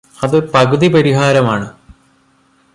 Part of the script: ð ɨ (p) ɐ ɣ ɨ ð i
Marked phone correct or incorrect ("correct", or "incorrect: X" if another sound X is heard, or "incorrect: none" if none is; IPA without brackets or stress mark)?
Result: correct